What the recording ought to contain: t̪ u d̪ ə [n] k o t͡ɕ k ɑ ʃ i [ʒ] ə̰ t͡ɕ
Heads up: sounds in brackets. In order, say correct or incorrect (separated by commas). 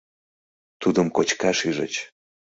incorrect, correct